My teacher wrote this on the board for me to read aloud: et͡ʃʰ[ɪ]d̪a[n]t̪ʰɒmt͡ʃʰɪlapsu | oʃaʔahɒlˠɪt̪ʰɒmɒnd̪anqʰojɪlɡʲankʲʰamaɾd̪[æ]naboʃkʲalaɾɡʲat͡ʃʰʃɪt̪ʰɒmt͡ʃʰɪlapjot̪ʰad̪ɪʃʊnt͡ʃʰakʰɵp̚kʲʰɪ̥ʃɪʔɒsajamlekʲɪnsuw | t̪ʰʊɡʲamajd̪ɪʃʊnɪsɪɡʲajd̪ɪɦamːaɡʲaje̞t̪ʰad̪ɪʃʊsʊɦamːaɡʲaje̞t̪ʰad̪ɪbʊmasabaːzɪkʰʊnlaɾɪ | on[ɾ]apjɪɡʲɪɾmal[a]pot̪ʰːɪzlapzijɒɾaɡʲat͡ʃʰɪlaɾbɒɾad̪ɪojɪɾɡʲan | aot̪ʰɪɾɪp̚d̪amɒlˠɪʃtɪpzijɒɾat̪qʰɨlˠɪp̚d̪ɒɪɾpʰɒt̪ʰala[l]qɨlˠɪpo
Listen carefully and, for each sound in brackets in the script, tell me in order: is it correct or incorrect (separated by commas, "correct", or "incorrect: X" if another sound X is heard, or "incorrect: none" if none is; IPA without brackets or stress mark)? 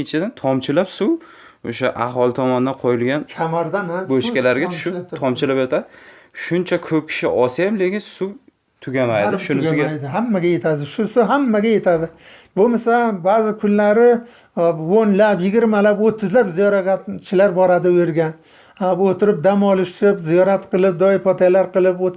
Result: correct, correct, incorrect: a, incorrect: l, correct, incorrect: ɾ